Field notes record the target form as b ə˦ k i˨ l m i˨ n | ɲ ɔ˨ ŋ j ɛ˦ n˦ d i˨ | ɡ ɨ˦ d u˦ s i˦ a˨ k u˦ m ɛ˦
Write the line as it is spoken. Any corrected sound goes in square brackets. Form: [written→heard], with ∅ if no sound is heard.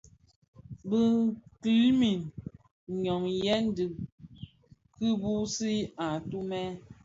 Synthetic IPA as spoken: b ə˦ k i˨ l m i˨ n | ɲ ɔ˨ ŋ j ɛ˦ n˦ d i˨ | [ɡ→k] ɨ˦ [d→b] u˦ s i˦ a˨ [k→t] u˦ m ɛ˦